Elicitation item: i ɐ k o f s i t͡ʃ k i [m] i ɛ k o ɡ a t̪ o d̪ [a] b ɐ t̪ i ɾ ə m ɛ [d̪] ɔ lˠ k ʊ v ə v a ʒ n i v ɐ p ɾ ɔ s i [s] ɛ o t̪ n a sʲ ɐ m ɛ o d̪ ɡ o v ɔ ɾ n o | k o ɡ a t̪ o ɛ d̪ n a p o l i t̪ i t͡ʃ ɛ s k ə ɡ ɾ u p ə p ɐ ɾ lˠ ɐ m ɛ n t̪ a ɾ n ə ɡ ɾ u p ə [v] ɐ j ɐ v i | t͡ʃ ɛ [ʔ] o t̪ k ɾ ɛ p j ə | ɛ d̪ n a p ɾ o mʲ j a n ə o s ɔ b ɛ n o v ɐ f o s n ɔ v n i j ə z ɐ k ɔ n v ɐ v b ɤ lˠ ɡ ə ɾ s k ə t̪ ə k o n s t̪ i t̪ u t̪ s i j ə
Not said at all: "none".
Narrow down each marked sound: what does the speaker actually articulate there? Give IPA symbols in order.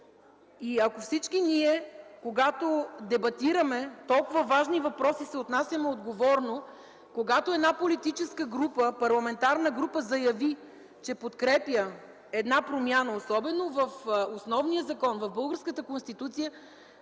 n, ɛ, t̪, s, z, p

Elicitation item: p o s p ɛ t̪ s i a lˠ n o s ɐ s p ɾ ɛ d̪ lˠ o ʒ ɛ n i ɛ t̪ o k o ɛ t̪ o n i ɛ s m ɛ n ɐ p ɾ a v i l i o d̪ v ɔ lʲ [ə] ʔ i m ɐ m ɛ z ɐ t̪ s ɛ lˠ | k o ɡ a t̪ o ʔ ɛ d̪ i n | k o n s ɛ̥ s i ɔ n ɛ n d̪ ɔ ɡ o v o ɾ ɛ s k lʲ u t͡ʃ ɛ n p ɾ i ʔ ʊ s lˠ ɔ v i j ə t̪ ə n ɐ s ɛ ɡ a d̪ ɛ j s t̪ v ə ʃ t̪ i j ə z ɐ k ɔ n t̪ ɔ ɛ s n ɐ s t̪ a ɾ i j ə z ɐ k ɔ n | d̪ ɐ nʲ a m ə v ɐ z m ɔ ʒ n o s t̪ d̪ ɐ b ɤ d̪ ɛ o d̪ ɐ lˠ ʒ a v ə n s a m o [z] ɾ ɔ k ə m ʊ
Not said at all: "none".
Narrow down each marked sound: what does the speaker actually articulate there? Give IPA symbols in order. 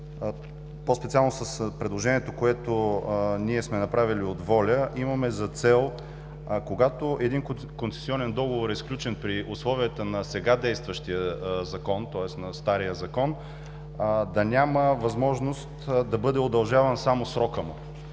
ə, s

